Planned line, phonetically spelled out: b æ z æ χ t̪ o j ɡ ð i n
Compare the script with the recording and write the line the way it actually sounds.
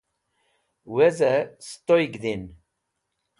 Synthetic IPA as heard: w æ z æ s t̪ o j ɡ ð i n